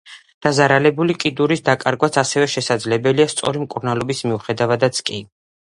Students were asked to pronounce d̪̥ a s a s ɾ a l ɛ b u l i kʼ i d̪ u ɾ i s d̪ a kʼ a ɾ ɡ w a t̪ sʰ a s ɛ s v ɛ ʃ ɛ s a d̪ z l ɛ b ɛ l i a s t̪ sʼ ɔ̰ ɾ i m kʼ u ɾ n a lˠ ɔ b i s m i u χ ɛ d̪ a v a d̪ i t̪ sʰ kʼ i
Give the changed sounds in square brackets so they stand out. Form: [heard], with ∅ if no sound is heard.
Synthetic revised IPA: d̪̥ a [z] a [∅] ɾ a l ɛ b u l i kʼ i d̪ u ɾ i s d̪ a kʼ a ɾ ɡ w a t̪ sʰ a s ɛ [∅] v ɛ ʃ ɛ s a d̪ z l ɛ b ɛ l i a s t̪ sʼ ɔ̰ ɾ i m kʼ u ɾ n a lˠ ɔ b i s m i u χ ɛ d̪ a v a d̪ [a] t̪ sʰ kʼ i

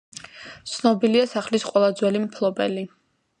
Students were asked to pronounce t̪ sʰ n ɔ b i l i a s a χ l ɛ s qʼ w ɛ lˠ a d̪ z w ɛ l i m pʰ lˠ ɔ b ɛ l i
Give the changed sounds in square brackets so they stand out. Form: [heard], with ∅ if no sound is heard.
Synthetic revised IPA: t̪ sʰ n ɔ b i l i a s a χ l [i] s qʼ w ɛ lˠ a d̪ z w ɛ l i m pʰ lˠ ɔ b ɛ l i

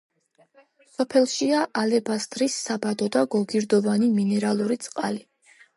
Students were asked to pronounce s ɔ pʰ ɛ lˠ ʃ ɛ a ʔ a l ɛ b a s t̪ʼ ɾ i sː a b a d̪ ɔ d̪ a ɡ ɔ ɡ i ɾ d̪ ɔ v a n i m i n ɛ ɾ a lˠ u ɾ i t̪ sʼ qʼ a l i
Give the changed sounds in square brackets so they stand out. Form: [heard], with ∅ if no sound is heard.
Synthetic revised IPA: s ɔ pʰ ɛ lˠ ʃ [i] a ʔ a l ɛ b a s t̪ʼ ɾ i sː a b a d̪ ɔ d̪ a ɡ ɔ ɡ i ɾ d̪ ɔ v a n i m i n ɛ ɾ a lˠ u ɾ i t̪ sʼ qʼ a l i

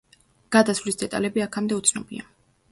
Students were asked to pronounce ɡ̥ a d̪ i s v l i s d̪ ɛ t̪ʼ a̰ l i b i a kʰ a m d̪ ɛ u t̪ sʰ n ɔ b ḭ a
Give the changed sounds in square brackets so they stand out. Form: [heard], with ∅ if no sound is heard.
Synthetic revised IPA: ɡ̥ a d̪ [a] s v l i s d̪ ɛ t̪ʼ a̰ l [ɛ] b i a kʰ a m d̪ ɛ u t̪ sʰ n ɔ b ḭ a

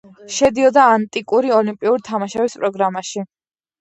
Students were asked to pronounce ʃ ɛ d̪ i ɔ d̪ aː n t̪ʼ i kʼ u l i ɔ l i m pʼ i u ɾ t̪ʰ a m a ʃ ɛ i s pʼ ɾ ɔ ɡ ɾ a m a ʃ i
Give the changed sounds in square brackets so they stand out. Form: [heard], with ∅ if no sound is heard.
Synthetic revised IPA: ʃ ɛ d̪ i ɔ d̪ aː n t̪ʼ i kʼ u [ɾ] i ɔ l i m pʼ i u ɾ t̪ʰ a m a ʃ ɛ i s pʼ ɾ ɔ ɡ ɾ a m a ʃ i

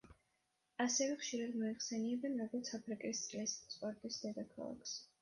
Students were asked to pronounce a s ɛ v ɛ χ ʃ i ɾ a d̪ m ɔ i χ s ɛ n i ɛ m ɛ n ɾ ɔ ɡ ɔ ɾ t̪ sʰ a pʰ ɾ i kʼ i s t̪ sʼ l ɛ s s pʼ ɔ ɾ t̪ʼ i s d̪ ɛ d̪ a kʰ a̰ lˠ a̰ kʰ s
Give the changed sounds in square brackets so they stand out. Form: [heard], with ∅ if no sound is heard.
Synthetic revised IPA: a s ɛ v ɛ χ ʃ i ɾ a d̪ m ɔ i χ s ɛ n i ɛ [b] ɛ n ɾ ɔ ɡ ɔ ɾ t̪ sʰ a pʰ ɾ i kʼ i s t̪ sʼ l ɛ s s pʼ ɔ ɾ t̪ʼ i s d̪ ɛ d̪ a kʰ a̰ lˠ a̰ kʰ s

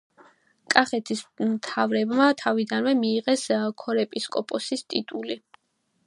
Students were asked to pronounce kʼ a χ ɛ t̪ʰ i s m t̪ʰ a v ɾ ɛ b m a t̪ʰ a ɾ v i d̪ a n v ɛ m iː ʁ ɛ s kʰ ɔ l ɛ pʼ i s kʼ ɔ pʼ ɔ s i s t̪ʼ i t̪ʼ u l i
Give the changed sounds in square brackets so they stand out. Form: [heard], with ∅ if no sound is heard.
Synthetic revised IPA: kʼ a χ ɛ t̪ʰ i s m t̪ʰ a v ɾ ɛ b m a t̪ʰ a [∅] v i d̪ a n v ɛ m iː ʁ ɛ s kʰ ɔ [ɾ] ɛ pʼ i s kʼ ɔ pʼ ɔ s i s t̪ʼ i t̪ʼ u l i

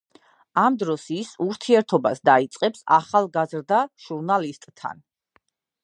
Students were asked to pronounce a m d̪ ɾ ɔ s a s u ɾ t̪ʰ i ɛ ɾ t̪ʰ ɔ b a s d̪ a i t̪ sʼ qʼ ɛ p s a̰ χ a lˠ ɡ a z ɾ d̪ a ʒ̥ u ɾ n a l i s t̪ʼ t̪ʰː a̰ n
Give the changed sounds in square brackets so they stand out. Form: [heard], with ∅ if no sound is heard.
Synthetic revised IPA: a m d̪ ɾ ɔ s [i] s u ɾ t̪ʰ i ɛ ɾ t̪ʰ ɔ b a s d̪ a i t̪ sʼ qʼ ɛ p s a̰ χ a lˠ ɡ a z ɾ d̪ a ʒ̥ u ɾ n a l i s t̪ʼ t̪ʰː a̰ n

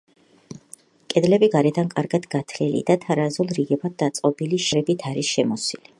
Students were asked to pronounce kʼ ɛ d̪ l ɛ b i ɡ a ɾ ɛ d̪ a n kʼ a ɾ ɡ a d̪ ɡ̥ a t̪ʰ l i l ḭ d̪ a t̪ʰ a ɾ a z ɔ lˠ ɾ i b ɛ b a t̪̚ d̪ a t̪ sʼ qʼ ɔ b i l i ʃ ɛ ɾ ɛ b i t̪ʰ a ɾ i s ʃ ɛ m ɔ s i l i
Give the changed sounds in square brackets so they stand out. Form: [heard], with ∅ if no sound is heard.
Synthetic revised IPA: kʼ ɛ d̪ l ɛ b i ɡ a ɾ ɛ d̪ a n kʼ a ɾ ɡ a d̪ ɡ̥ a t̪ʰ l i l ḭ d̪ a t̪ʰ a ɾ a z [u] lˠ ɾ i [ɡ] ɛ b a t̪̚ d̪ a t̪ sʼ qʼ ɔ b i l i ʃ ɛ ɾ ɛ b i t̪ʰ a ɾ i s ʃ ɛ m ɔ s i l i

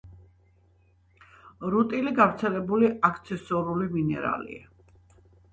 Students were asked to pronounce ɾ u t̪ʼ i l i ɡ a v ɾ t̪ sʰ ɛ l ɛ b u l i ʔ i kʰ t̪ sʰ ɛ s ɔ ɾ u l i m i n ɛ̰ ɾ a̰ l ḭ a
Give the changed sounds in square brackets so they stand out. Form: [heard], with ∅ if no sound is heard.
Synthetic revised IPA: ɾ u t̪ʼ i l i ɡ a v ɾ t̪ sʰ ɛ l ɛ b u l i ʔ [a] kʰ t̪ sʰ ɛ s ɔ ɾ u l i m i n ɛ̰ ɾ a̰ l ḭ a

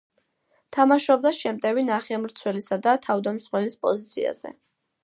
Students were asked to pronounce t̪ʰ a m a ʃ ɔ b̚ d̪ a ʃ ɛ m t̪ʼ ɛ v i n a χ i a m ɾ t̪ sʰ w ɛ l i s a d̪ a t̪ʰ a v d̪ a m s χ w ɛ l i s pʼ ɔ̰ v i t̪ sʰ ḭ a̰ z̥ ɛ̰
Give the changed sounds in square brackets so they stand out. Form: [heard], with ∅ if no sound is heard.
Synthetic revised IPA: t̪ʰ a m a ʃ ɔ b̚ d̪ a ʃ ɛ m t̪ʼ ɛ v i n a χ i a m ɾ t̪ sʰ w ɛ l i s a d̪ a t̪ʰ a v d̪ a m s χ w ɛ l i s pʼ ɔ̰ [z] i t̪ sʰ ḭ a̰ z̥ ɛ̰

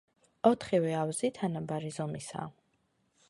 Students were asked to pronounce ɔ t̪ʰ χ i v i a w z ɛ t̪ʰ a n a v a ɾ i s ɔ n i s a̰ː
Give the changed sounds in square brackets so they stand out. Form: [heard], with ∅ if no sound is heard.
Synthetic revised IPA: ɔ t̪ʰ χ i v [ɛ] a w z [i] t̪ʰ a n a [b] a ɾ i [z] ɔ [m] i s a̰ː

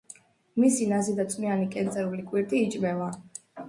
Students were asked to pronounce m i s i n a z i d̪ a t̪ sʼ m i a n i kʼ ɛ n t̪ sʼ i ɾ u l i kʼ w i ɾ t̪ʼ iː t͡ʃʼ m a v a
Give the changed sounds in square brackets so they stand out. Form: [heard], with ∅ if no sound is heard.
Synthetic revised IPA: m i s i n a z i d̪ a t̪ sʼ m i a n i kʼ ɛ n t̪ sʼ [ɛ] ɾ u l i kʼ w i ɾ t̪ʼ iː t͡ʃʼ m [ɛ] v a

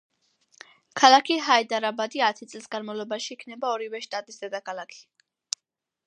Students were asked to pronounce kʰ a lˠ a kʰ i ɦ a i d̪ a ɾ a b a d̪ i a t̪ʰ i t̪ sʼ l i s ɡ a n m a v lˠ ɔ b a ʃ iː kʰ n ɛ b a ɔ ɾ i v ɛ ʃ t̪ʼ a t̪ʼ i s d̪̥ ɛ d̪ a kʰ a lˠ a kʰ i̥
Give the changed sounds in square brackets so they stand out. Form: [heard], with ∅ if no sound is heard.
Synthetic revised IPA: kʰ a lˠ a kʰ i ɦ a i d̪ a ɾ a b a d̪ i a t̪ʰ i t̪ sʼ l i s ɡ a n m a v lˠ ɔ b a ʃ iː kʰ n ɛ b a ɔ ɾ i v ɛ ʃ t̪ʼ a t̪ʼ i s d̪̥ ɛ d̪ a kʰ a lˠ a kʰ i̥

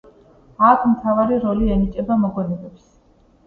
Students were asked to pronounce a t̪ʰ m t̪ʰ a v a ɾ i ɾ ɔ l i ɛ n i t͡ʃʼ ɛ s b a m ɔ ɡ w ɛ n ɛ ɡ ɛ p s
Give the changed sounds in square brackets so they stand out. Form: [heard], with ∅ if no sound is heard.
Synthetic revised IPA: a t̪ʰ m t̪ʰ a v a ɾ i ɾ ɔ l i ɛ n i t͡ʃʼ ɛ [∅] b a m ɔ ɡ w ɛ n ɛ [b] ɛ p s

